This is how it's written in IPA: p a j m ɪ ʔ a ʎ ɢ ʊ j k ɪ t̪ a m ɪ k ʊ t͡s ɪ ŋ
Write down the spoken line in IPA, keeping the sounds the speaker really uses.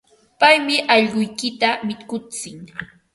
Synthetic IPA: p a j m ɪ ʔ ɑ ʎ ɢ ʊ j k ɪ t̪ a m ɪ k ʊ t͡s ɪ ŋ